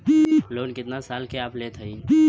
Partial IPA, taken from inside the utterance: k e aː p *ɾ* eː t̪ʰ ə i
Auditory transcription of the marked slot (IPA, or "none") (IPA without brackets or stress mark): l